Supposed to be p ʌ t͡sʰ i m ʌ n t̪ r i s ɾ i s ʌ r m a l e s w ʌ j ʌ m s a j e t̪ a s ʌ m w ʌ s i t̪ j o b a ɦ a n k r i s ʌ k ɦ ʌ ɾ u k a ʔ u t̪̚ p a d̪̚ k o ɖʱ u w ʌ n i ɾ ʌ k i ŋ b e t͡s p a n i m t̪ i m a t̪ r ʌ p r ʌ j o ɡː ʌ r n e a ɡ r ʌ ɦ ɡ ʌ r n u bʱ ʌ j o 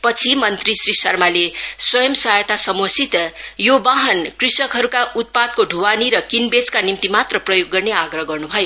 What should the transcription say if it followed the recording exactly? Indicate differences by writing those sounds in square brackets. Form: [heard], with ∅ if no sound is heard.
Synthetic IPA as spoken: p ʌ t͡sʰ i m ʌ n t̪ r i s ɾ i s ʌ r m a l e s w ʌ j ʌ m s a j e t̪ a s ʌ m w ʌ s i t̪ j o b a ɦ [ʌ] n k r i s ʌ k ɦ ʌ ɾ u k a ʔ u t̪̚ p a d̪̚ k o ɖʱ u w [a] n i ɾ ʌ k i [n] b e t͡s [k] a n i m t̪ i m a t̪ r ʌ p r ʌ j o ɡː ʌ r n e a ɡ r ʌ ɦ ɡ ʌ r n u bʱ ʌ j o